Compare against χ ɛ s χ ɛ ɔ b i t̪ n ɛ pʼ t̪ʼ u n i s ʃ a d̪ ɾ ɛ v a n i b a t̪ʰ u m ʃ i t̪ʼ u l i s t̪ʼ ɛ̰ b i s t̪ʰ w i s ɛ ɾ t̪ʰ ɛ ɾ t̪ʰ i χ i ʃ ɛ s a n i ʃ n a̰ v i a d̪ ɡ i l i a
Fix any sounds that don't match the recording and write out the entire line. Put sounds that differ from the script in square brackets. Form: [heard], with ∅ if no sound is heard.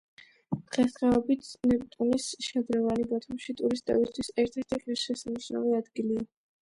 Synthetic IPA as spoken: χ ɛ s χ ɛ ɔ b i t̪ n ɛ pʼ t̪ʼ u n i s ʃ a d̪ ɾ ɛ v a n i b a t̪ʰ u m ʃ i t̪ʼ u [ɾ] i s t̪ʼ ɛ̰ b i s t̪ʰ w i s ɛ ɾ t̪ʰ ɛ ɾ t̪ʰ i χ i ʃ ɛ s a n i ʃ n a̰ v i a d̪ ɡ i l i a